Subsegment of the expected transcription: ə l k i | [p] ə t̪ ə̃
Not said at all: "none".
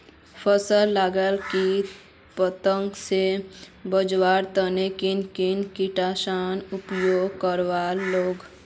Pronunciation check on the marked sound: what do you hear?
p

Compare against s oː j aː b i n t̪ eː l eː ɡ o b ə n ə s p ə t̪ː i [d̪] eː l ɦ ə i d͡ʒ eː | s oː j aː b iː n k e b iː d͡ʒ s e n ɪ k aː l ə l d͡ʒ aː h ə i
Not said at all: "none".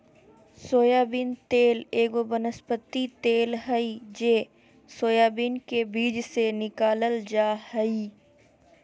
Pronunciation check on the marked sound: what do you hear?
t̪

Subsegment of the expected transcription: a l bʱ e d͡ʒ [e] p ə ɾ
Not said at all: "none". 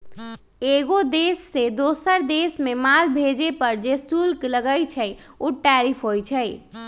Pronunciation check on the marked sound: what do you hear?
e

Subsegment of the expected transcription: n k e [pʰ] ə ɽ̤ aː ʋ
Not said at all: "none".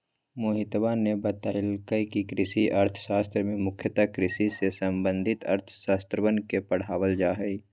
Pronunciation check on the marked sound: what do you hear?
p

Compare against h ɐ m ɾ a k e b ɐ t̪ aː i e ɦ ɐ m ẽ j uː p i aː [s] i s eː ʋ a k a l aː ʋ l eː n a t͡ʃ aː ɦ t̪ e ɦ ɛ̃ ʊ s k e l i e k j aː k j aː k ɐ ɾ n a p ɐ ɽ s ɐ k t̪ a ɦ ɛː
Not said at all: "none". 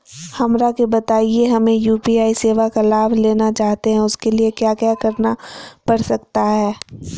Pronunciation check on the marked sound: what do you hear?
none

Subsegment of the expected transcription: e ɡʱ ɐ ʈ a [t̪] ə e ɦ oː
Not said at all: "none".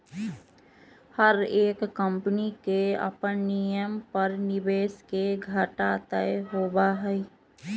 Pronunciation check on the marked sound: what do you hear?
t̪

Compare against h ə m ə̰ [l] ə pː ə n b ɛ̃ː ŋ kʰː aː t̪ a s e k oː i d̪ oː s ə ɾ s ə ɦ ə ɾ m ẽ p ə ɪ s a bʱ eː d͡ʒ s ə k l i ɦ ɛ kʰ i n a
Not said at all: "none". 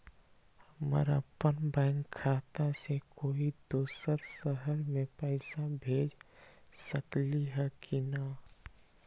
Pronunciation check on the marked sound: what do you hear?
ɾ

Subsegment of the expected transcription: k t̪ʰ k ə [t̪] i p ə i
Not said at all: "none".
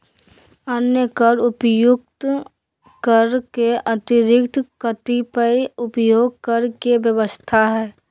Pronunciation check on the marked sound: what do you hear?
t̪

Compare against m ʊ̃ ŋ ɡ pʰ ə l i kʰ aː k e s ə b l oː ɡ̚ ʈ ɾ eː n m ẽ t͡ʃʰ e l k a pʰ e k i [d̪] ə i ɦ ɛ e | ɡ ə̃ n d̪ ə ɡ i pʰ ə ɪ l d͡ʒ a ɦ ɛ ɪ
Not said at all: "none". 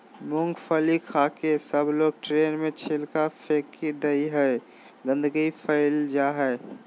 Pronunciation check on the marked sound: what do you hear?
d̪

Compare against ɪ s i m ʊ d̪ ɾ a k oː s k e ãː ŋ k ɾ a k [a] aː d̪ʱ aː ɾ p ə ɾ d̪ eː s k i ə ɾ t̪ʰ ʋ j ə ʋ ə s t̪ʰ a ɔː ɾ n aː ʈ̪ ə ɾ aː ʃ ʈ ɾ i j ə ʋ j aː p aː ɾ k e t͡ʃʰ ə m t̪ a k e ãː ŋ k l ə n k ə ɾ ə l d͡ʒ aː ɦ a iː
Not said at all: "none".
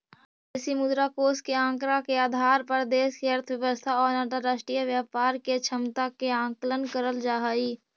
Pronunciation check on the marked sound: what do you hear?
e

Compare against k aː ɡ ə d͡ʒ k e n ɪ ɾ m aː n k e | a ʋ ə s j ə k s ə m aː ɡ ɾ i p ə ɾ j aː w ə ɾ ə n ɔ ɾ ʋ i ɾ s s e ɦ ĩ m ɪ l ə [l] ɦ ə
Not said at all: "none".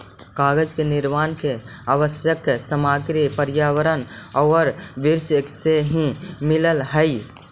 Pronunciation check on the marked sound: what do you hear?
l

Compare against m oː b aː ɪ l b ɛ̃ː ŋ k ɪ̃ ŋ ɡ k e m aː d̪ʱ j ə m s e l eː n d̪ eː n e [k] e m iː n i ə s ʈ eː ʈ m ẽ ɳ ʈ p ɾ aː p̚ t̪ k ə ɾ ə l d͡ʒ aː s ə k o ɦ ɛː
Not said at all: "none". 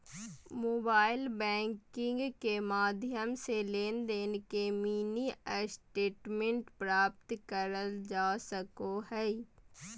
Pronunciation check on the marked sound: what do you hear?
k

